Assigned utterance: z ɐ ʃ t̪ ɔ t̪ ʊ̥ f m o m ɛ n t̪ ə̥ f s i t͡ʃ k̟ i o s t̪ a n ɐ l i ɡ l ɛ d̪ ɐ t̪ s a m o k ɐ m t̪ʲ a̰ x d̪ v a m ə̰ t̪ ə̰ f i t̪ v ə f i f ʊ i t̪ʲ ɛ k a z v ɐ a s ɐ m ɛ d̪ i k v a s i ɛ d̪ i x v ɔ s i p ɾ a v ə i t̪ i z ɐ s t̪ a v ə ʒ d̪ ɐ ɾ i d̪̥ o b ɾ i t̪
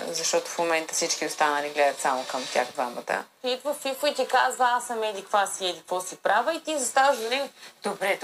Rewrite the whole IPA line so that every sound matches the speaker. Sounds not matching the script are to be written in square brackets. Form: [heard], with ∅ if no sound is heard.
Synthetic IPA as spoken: z ɐ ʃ t̪ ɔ t̪ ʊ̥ f m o m ɛ n t̪ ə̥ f s i t͡ʃ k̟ i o s t̪ a n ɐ l i ɡ l ɛ d̪ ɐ t̪ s a m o k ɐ m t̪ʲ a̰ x d̪ v a m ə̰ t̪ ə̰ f i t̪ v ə f i f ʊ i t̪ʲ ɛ k a z v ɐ a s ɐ m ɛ d̪ i k v a s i ɛ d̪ i [k] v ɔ s i p ɾ a v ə i t̪ i z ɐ s t̪ a v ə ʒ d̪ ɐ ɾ i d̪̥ o b ɾ [ɛ] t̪